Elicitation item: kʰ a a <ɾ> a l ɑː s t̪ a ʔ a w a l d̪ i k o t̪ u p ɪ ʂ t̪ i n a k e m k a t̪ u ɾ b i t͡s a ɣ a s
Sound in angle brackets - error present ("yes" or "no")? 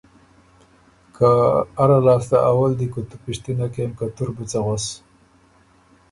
no